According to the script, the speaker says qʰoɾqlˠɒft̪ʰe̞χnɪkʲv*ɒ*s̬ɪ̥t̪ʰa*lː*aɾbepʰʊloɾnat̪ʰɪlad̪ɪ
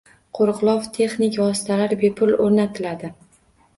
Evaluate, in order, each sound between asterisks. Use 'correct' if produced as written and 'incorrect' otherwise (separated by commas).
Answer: correct, incorrect